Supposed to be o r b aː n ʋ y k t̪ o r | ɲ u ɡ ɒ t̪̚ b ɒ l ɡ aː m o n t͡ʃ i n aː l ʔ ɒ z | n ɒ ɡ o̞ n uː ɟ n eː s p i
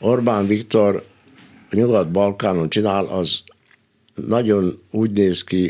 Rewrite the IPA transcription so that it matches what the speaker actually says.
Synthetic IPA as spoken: o r b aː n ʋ i k t̪ o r | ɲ u ɡ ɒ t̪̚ b ɒ l k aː n o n t͡ʃ i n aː l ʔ ɒ z | n ɒ ɟ o̞ n uː ɟ n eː s k i